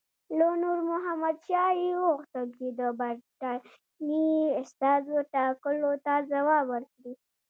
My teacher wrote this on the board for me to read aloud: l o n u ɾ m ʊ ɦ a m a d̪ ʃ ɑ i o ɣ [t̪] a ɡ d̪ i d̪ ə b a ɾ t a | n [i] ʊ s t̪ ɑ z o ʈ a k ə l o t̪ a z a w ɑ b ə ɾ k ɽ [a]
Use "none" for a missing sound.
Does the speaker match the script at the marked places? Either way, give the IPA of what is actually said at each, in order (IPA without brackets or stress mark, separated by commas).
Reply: t̪, i, i